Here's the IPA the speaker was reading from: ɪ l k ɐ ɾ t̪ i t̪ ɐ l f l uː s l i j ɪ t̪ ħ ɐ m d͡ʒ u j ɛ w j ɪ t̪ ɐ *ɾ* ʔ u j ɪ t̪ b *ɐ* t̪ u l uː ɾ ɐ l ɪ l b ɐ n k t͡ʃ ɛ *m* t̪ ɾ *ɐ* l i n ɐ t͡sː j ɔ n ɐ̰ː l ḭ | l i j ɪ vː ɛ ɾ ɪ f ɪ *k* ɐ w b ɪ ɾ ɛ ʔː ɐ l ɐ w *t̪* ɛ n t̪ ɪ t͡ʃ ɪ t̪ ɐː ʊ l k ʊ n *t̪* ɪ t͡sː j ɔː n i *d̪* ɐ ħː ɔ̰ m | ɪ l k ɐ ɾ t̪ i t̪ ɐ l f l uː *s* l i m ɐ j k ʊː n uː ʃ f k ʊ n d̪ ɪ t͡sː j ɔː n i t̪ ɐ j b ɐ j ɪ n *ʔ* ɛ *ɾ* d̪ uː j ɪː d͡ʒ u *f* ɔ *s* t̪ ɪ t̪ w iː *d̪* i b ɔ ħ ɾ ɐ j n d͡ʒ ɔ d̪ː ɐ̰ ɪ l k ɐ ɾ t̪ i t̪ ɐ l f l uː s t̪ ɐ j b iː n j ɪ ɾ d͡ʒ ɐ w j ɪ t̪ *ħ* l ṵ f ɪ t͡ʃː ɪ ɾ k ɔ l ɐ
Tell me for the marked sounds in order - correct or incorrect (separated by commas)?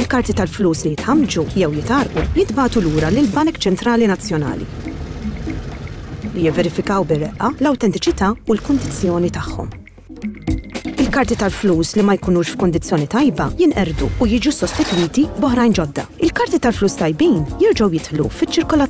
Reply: correct, incorrect, incorrect, incorrect, correct, correct, incorrect, incorrect, correct, correct, correct, incorrect, correct, incorrect, correct